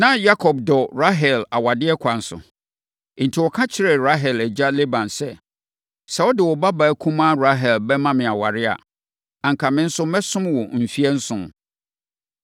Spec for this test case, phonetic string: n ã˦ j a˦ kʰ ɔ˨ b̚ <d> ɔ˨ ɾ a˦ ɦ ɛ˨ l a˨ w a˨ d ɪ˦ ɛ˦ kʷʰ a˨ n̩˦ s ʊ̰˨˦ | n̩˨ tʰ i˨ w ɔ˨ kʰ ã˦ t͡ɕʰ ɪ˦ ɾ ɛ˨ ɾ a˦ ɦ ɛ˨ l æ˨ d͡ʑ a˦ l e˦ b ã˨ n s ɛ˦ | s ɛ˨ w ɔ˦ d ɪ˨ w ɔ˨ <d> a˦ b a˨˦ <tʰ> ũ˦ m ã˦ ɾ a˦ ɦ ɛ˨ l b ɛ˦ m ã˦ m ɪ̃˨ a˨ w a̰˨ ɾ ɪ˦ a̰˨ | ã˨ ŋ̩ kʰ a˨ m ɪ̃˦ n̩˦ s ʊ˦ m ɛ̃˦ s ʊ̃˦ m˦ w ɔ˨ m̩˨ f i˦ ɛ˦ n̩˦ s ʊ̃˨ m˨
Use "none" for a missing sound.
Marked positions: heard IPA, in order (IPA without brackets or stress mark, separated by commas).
d, b, kʰ